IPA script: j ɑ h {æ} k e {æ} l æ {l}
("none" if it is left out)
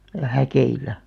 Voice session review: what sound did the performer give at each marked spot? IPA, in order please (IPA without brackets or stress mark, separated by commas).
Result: æ, i, none